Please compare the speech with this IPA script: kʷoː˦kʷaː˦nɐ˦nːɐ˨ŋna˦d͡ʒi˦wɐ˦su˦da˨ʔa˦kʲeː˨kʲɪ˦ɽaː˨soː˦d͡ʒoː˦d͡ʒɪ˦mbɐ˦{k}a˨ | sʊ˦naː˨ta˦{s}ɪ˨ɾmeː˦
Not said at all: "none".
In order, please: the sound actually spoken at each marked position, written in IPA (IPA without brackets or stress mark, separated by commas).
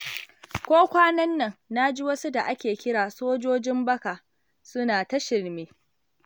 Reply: k, ʃ